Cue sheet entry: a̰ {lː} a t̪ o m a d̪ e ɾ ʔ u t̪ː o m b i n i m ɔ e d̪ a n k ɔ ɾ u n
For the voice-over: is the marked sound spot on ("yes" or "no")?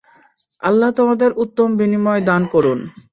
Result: yes